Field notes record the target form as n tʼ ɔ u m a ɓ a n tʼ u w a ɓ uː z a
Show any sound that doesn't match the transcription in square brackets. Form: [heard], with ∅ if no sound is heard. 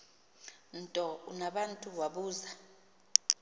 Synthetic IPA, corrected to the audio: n tʼ ɔ u [n] a ɓ a n tʼ u w a ɓ uː z a